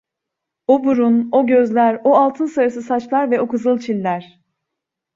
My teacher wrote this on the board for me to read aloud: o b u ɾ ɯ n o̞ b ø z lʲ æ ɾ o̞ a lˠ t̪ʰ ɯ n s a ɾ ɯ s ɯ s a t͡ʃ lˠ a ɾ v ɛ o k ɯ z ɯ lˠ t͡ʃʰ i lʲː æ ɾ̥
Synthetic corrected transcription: o b u ɾ u n o̞ ɟ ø z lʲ æ ɾ o̞ a lˠ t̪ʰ ɯ n s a ɾ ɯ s ɯ s a t͡ʃ lˠ a ɾ v ɛ o k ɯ z ɯ lˠ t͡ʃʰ i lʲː æ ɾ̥